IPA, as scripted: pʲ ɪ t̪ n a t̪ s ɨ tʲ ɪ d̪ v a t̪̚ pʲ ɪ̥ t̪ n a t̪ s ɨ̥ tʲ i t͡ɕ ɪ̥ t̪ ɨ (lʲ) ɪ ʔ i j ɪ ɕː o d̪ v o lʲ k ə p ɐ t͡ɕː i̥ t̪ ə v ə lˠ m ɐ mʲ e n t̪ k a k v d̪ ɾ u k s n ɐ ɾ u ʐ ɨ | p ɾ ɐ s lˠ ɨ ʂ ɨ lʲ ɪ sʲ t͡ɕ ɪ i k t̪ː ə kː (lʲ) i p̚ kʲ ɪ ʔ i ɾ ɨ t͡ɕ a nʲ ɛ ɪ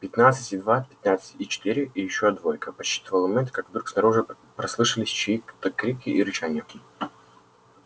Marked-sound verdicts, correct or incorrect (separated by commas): incorrect, incorrect